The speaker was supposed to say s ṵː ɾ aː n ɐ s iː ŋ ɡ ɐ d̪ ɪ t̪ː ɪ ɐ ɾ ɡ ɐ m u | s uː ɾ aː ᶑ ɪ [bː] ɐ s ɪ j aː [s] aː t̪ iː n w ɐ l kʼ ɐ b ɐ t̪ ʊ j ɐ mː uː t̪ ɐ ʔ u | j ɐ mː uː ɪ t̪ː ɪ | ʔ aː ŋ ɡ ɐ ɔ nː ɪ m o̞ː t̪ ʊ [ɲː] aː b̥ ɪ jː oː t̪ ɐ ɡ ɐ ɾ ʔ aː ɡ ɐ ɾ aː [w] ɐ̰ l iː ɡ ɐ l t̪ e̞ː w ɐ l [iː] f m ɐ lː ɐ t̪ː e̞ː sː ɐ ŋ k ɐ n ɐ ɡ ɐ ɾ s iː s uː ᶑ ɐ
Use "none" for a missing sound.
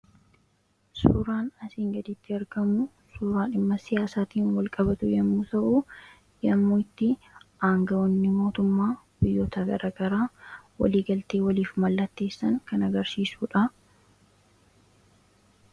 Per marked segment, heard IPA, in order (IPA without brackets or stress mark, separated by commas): mː, s, mː, w, iː